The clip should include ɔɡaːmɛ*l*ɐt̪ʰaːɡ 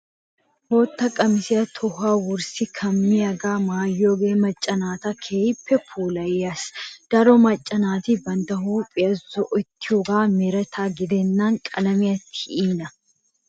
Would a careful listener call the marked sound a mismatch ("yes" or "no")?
yes